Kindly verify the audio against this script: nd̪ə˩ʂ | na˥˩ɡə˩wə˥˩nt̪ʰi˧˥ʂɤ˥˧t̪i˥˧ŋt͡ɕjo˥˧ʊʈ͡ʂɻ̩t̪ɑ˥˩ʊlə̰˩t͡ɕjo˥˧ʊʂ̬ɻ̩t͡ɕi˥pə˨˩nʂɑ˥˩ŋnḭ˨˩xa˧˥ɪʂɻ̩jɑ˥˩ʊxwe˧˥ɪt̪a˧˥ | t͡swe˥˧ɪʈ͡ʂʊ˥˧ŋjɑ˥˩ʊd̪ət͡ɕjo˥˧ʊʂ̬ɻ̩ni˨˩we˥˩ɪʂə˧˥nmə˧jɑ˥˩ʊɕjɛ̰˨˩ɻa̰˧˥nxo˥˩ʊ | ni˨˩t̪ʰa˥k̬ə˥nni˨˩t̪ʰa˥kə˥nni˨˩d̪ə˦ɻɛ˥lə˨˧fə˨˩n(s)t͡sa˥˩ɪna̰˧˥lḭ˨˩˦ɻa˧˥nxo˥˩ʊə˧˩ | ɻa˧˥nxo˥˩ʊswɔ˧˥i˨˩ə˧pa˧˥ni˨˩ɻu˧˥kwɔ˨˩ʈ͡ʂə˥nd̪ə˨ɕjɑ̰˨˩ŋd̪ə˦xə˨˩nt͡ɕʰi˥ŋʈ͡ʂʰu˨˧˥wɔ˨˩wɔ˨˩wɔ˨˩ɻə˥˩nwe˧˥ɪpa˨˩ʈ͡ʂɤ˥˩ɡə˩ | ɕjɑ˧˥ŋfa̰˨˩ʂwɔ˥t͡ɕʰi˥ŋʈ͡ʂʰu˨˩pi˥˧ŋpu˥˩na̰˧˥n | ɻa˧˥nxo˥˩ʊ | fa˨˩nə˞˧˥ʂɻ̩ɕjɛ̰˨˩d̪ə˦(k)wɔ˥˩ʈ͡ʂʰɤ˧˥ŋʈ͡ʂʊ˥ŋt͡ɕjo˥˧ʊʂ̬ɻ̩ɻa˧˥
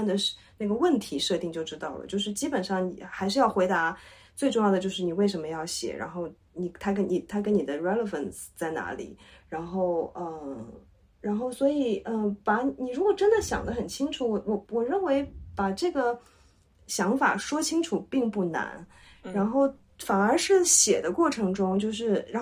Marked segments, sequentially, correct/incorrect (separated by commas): correct, correct